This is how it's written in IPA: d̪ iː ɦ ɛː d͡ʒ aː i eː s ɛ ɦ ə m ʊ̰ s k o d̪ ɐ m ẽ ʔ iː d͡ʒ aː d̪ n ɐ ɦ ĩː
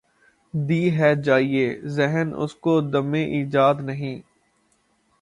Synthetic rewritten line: d̪ iː ɦ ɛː d͡ʒ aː i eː z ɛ ɦ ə n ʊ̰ s k o d̪ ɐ m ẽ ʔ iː d͡ʒ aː d̪ n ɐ ɦ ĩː